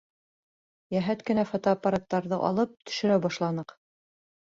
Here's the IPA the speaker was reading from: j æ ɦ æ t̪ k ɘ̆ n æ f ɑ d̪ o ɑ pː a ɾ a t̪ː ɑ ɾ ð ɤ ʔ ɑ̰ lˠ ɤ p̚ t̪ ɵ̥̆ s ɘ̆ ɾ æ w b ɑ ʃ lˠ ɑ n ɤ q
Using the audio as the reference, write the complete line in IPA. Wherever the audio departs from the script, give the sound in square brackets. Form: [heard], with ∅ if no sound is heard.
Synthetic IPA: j æ ɦ æ t̪ k ɘ̆ n æ f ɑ [t̪] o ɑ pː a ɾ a t̪ː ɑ ɾ ð ɤ ʔ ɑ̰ lˠ ɤ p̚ t̪ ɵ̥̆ [ʃ] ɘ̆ ɾ æ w b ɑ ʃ lˠ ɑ n ɤ q